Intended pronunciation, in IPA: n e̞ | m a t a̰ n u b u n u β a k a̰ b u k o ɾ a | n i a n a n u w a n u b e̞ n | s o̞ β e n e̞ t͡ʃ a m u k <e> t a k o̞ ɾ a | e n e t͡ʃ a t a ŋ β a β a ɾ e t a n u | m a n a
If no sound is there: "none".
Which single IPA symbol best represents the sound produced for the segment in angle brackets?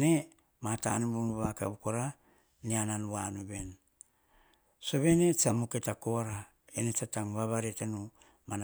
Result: e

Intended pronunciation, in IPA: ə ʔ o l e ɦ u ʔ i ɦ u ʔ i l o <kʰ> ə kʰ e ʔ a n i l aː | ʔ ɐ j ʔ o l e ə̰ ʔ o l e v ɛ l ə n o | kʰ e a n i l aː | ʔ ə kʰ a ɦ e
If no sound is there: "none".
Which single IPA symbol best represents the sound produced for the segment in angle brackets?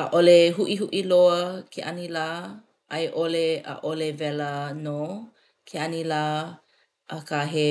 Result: none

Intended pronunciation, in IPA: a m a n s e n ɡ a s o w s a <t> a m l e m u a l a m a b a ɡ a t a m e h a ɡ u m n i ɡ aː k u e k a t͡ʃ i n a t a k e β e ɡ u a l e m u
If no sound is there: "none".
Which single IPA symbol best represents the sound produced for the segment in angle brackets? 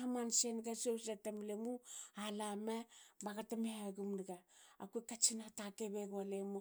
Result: t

